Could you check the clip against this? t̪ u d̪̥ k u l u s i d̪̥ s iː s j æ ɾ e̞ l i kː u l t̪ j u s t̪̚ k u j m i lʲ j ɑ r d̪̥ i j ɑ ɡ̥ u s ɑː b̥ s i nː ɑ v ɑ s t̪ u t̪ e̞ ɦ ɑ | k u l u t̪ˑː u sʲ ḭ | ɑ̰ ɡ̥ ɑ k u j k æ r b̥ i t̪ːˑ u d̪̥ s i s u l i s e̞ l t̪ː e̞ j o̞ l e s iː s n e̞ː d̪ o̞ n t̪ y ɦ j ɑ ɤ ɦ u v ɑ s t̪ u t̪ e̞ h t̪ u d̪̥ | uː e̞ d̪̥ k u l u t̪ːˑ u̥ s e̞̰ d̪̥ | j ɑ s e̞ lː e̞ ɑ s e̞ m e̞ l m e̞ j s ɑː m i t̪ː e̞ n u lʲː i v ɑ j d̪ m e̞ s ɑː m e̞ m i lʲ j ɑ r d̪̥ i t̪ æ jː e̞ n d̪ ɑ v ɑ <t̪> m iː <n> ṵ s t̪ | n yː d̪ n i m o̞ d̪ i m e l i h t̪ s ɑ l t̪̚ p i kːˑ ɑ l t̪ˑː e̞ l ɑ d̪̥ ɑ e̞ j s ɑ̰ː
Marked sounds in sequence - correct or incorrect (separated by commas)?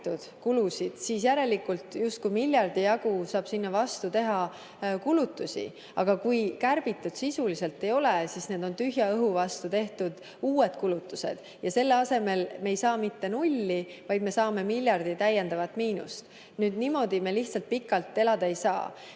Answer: correct, correct